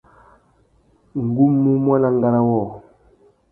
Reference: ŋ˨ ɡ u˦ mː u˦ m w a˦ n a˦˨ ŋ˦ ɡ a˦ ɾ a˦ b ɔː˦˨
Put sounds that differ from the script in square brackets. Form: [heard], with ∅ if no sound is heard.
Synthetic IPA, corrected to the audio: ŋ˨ ɡ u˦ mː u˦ m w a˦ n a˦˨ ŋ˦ ɡ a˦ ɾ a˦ [w] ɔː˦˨